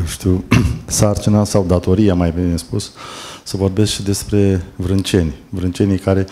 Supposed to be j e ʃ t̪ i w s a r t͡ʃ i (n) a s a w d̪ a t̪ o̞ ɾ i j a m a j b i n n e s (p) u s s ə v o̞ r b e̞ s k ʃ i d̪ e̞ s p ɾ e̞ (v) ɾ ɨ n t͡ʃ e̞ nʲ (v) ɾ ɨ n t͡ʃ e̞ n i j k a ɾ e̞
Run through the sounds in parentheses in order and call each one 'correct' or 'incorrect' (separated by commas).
correct, correct, correct, correct